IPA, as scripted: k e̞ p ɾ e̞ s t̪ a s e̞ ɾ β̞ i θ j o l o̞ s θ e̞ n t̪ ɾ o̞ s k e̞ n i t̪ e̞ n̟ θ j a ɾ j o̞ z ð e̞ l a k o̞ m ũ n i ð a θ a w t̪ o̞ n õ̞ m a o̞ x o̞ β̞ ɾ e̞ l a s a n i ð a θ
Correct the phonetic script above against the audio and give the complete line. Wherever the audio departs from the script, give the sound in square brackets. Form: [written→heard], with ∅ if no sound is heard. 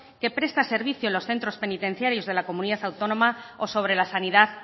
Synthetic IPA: k e̞ p ɾ e̞ s t̪ a s e̞ ɾ β̞ i θ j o l o̞ s θ e̞ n t̪ ɾ o̞ s [k→p] e̞ n i t̪ e̞ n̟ θ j a ɾ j o̞ z ð e̞ l a k o̞ m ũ n i ð a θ a w t̪ o̞ n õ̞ m a o̞ [x→s] o̞ β̞ ɾ e̞ l a s a n i ð a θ